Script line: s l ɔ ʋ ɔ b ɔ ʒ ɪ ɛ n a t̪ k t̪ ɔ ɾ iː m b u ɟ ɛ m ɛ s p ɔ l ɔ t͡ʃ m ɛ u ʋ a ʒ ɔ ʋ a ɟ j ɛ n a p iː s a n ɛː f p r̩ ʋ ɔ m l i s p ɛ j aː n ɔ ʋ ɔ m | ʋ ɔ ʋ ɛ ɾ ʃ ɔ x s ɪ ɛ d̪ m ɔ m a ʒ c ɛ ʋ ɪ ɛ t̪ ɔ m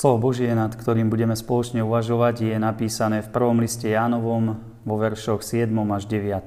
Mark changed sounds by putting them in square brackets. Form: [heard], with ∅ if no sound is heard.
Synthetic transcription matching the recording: s l ɔ ʋ ɔ b ɔ ʒ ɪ ɛ n a t̪ k t̪ ɔ ɾ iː m b u ɟ ɛ m ɛ s p ɔ l ɔ t͡ʃ [ɲ] ɛ u ʋ a ʒ ɔ ʋ a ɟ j ɛ n a p iː s a n ɛː f p r̩ ʋ ɔ m l i s [c] ɛ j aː n ɔ ʋ ɔ m | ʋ ɔ ʋ ɛ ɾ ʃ ɔ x s ɪ ɛ d̪ m ɔ m a ʒ [ɟ] ɛ ʋ ɪ [a] t̪ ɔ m